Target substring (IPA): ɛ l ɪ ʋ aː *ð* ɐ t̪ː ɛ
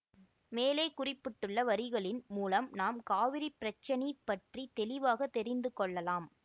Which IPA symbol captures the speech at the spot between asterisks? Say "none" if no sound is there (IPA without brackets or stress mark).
ɣ